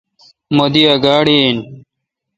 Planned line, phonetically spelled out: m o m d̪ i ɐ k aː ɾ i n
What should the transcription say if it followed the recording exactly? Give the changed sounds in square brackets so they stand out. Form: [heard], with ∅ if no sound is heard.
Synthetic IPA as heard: m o [∅] d̪ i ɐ [ɡ] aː [ɽ] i n